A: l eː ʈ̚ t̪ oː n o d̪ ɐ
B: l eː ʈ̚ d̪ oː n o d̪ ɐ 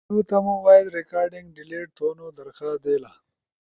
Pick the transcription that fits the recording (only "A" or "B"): A